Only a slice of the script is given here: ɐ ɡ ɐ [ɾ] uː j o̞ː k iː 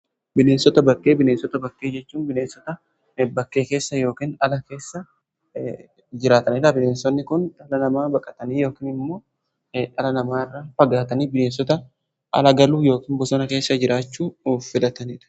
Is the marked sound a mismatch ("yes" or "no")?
yes